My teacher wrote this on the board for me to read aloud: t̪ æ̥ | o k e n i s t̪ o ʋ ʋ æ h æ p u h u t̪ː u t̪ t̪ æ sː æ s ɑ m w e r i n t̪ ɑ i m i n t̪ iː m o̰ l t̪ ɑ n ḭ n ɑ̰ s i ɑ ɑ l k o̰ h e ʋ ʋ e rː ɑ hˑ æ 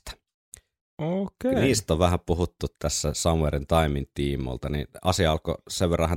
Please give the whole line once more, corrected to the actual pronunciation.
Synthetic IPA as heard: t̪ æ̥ | o k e n iː s t̪ o ʋ ʋ æ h æ p u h u t̪ː u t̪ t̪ æ sː æ s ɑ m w e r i n t̪ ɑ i m i n t̪ iː m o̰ l t̪ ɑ n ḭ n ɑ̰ s i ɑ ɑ l k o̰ s e ʋ ʋ e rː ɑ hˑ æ